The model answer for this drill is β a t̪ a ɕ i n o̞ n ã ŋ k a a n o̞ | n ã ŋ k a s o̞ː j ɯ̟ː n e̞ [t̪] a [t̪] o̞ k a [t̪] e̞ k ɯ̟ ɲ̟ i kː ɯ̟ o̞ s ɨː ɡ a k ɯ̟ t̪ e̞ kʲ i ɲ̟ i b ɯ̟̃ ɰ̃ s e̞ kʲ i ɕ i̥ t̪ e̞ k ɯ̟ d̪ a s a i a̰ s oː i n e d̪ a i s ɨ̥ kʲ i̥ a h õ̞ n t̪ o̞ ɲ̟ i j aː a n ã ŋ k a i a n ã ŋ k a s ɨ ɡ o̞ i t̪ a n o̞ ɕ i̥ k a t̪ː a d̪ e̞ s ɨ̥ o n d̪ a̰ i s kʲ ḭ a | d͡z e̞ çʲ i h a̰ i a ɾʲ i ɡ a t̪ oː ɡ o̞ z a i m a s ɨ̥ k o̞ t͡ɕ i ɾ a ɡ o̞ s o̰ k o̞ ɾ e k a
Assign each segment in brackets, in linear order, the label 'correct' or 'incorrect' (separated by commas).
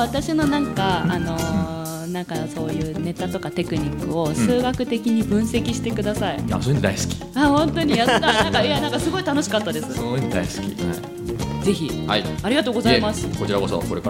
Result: correct, correct, correct